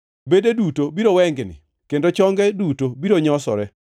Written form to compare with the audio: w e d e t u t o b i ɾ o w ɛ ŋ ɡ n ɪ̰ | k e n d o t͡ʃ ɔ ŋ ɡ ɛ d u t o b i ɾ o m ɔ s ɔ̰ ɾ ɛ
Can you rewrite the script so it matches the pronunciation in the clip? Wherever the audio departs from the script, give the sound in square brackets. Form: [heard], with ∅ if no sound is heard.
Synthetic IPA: [b] e d e [d] u t o b i ɾ o w ɛ ŋ ɡ n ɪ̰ | k e n d o t͡ʃ ɔ ŋ ɡ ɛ d u t o b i ɾ o [ɲ] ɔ s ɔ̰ ɾ ɛ